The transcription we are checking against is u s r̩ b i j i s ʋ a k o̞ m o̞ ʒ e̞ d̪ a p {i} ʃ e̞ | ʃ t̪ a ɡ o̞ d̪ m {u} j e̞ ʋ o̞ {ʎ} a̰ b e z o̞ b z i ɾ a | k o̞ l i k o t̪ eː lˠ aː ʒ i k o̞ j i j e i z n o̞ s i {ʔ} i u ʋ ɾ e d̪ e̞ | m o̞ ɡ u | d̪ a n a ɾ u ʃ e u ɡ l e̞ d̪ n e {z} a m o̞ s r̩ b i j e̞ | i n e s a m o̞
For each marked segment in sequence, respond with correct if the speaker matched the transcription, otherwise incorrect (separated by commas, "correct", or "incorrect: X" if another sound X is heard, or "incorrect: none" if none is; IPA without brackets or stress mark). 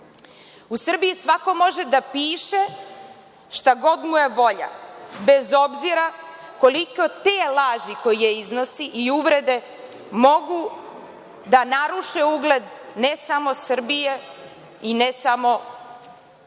incorrect: iː, correct, correct, correct, incorrect: s